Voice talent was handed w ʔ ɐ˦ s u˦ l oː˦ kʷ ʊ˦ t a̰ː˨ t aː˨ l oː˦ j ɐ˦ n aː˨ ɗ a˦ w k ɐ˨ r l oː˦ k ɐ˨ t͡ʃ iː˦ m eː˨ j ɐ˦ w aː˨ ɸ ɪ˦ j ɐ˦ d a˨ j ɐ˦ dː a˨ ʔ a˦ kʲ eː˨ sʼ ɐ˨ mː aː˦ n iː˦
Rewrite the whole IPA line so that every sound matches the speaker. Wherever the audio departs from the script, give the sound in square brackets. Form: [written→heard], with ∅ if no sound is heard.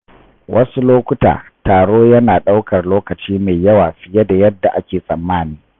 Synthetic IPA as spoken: w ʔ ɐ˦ s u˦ l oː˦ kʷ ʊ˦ t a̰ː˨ t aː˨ [l→ɽ] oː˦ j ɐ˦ n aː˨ ɗ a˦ w k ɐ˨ r l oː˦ k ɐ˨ t͡ʃ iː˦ m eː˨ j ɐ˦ w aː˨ ɸ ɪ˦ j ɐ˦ d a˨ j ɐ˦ dː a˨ ʔ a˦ kʲ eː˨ sʼ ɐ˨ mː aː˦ n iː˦